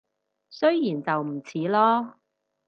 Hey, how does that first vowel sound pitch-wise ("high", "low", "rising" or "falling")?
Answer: high